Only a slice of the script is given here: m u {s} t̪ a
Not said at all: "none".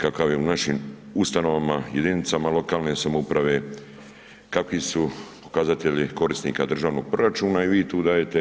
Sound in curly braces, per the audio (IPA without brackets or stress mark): s